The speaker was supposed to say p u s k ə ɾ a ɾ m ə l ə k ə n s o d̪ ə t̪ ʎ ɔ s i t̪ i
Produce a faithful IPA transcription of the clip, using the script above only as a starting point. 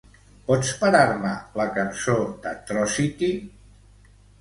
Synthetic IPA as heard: p ɔ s p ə ɾ a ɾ m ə l ə k ə n s o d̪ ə t̪ ɾ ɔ s i t̪ i